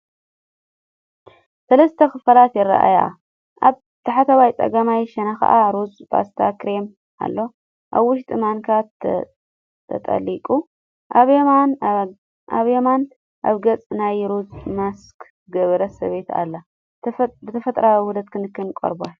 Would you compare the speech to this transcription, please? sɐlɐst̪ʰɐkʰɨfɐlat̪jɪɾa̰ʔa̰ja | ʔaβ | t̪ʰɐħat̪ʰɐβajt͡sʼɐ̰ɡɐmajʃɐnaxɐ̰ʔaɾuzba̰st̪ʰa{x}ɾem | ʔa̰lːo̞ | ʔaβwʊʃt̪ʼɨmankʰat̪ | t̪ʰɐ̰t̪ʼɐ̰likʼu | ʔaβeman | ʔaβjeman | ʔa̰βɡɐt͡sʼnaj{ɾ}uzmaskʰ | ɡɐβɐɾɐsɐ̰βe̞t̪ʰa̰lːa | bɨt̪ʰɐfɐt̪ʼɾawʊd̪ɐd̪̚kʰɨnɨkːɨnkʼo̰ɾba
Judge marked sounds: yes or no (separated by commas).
no, yes